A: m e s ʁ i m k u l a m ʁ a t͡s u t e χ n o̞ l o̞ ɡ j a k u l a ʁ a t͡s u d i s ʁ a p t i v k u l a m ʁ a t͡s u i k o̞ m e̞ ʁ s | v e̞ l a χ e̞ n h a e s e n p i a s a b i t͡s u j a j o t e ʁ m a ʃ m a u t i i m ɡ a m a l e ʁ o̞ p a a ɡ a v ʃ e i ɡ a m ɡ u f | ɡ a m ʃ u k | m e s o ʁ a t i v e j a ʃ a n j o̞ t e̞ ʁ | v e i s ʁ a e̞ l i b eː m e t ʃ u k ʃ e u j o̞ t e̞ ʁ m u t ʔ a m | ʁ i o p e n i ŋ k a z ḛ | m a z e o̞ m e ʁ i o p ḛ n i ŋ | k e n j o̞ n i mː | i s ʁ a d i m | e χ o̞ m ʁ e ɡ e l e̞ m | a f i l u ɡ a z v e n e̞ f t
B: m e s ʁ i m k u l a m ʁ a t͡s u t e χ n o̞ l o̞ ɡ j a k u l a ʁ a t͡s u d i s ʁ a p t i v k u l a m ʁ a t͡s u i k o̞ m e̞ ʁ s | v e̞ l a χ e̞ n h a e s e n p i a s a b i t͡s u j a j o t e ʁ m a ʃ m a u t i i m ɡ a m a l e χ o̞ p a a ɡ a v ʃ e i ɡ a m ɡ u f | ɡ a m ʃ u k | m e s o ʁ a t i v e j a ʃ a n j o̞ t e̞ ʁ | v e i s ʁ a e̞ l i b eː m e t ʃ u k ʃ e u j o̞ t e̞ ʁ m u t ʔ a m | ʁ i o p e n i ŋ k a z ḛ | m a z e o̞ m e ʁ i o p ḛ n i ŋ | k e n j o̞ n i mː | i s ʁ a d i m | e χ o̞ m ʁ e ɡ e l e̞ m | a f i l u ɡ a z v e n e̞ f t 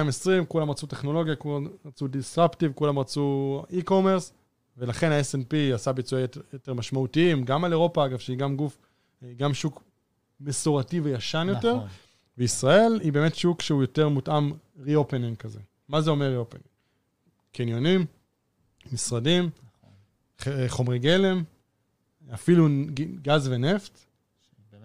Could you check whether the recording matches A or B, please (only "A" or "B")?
A